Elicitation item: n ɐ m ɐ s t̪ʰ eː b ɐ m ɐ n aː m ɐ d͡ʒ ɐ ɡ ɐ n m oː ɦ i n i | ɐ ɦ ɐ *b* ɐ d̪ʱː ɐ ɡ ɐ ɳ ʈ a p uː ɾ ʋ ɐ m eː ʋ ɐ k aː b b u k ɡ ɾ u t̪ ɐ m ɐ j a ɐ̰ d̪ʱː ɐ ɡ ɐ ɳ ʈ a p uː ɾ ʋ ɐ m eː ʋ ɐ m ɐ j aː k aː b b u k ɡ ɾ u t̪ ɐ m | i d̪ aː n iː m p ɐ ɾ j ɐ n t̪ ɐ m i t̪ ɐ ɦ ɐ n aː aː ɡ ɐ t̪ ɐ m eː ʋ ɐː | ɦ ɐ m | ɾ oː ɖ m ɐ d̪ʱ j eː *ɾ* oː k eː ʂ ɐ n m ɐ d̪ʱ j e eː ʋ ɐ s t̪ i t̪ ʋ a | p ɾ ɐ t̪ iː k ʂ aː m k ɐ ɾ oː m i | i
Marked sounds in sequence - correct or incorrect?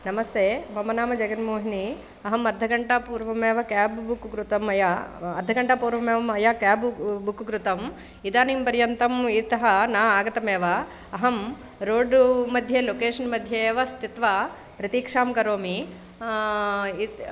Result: incorrect, incorrect

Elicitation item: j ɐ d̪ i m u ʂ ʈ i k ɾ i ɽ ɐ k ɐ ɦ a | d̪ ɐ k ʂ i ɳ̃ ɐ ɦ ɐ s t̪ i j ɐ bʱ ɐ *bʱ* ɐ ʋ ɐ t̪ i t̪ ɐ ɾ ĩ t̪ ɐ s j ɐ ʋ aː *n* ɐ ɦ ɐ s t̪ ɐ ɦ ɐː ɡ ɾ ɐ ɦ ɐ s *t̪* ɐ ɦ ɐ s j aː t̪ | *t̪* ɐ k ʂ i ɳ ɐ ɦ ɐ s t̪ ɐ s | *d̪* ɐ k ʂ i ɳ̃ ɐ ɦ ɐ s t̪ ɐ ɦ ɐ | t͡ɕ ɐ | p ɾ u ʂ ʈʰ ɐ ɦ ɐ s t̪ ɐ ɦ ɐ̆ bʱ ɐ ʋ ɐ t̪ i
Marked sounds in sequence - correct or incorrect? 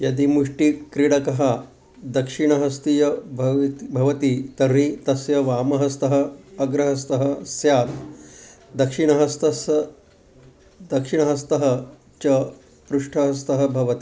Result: correct, incorrect, correct, incorrect, correct

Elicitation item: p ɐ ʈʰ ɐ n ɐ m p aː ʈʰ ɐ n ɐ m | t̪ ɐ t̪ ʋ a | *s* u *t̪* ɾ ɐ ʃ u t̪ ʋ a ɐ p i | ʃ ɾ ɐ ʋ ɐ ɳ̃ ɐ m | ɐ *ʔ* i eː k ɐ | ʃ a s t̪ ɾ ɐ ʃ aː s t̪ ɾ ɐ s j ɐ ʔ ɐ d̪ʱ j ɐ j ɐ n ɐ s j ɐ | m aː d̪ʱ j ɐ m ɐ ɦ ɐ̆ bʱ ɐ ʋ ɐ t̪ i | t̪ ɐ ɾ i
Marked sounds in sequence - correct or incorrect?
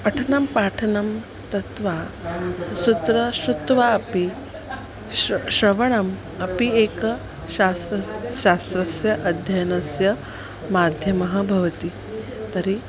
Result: correct, correct, incorrect

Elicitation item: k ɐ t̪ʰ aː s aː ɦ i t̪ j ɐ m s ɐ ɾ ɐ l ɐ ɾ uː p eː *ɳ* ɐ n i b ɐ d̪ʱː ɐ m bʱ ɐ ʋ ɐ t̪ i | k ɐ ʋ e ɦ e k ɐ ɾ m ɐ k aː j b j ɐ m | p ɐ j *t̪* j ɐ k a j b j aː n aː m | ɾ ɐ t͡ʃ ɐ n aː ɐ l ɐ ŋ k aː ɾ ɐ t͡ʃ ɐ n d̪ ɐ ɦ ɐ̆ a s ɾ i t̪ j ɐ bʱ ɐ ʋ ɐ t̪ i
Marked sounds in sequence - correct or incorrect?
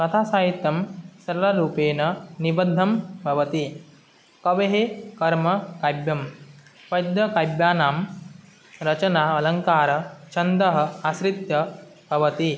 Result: incorrect, incorrect

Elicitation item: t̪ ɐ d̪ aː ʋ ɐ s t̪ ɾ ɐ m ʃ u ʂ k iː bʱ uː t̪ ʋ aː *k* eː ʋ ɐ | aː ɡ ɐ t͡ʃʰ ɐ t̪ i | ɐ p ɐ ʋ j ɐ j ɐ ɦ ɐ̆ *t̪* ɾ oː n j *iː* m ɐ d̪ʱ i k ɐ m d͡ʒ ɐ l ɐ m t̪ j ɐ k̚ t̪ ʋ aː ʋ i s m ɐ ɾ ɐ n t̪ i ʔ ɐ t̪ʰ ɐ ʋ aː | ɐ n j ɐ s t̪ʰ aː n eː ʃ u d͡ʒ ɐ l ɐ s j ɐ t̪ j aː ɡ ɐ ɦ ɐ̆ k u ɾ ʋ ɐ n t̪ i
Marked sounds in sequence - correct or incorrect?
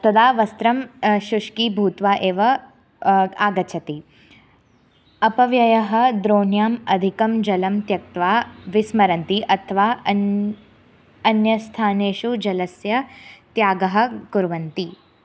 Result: incorrect, incorrect, incorrect

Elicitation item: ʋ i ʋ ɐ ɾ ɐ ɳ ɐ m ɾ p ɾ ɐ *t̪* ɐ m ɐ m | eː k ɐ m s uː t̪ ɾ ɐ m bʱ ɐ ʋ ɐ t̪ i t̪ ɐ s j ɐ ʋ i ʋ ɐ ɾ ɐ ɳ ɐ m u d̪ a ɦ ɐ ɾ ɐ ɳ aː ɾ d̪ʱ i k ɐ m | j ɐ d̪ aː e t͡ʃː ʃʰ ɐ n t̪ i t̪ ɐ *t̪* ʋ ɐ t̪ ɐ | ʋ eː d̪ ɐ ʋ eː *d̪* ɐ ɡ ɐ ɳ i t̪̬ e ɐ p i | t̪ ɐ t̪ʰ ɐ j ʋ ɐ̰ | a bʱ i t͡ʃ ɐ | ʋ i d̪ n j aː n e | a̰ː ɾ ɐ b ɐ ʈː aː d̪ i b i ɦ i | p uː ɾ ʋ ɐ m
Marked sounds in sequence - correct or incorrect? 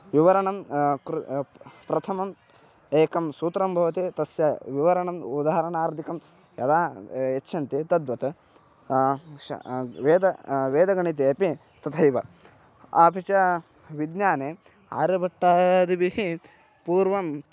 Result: incorrect, incorrect, correct

